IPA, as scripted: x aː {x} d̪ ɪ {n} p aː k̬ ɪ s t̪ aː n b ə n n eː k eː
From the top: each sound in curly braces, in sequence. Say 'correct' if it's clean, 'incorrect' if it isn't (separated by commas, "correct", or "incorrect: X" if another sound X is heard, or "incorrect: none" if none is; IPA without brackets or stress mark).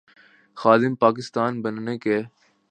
incorrect: none, incorrect: m